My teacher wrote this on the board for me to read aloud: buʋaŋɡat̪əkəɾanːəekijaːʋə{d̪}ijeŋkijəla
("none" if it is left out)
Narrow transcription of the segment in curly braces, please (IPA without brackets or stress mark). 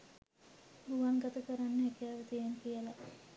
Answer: t̪